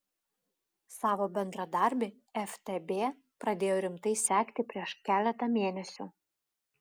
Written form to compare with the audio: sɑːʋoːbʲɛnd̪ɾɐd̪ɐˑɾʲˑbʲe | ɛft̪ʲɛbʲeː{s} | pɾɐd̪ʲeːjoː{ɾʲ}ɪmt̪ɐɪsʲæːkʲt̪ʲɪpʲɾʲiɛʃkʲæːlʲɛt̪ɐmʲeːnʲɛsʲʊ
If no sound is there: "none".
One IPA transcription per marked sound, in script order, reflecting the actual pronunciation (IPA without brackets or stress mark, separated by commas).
none, ɾʲ